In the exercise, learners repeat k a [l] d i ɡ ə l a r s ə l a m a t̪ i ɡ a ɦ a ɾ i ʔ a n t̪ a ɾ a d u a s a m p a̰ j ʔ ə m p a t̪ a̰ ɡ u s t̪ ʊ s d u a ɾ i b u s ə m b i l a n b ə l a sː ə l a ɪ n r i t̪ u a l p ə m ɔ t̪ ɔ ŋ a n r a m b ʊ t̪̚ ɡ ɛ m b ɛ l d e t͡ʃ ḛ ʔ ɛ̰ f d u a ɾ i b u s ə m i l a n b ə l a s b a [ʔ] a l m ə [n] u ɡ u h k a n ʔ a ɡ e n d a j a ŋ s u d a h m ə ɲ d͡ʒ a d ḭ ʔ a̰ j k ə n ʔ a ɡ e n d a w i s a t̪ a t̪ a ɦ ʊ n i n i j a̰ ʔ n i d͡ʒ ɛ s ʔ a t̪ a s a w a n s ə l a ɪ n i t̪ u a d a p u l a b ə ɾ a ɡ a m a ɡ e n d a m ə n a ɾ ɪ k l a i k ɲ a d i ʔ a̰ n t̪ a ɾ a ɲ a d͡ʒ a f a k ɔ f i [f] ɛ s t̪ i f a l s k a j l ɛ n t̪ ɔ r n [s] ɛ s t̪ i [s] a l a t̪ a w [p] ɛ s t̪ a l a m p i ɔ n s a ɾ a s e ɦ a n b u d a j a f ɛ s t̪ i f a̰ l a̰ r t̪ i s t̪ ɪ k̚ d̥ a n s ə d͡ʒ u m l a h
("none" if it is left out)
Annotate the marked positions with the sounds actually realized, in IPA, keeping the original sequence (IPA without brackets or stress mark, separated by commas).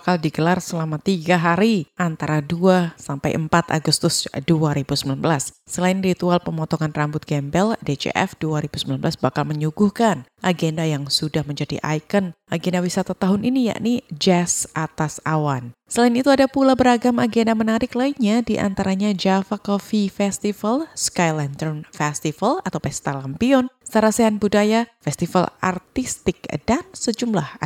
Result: l, k, ɲ, f, f, f, p